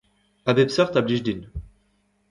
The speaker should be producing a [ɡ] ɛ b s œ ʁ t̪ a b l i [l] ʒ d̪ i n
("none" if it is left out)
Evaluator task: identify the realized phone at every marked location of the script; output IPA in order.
b, none

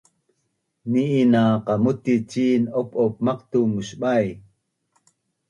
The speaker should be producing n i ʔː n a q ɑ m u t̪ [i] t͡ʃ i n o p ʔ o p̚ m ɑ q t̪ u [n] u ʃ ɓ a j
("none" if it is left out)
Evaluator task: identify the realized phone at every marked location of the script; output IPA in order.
i, m

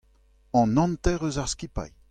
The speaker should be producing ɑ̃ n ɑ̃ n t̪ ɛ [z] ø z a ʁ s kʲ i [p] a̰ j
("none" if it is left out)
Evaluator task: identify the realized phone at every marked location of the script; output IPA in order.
ʁ, p

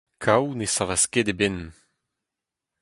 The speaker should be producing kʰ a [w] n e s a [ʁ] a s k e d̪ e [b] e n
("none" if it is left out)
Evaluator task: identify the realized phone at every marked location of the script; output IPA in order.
w, v, b

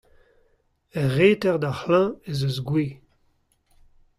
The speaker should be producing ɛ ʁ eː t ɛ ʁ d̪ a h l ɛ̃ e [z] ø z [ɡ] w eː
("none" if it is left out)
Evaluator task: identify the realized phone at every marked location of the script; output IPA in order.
z, ɡ

